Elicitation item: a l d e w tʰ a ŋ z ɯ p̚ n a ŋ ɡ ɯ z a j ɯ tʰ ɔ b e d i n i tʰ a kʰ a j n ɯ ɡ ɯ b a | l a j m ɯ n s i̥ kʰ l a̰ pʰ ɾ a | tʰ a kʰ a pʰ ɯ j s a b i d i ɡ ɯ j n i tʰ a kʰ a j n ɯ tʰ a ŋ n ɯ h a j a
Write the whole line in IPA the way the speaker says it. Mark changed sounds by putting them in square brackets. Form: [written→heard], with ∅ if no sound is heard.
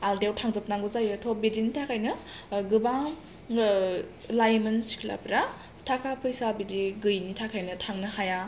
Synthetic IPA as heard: a l d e w tʰ a ŋ z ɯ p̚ n a ŋ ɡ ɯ z a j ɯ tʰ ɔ b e d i n i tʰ a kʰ a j n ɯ ɡ ɯ b a | l a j m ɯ n s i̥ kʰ l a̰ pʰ ɾ a | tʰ a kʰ a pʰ ɯ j s a b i d i ɡ ɯ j n i tʰ a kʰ a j n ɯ tʰ a ŋ n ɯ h a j a